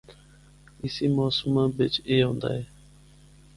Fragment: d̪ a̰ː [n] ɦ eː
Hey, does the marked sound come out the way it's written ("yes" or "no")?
no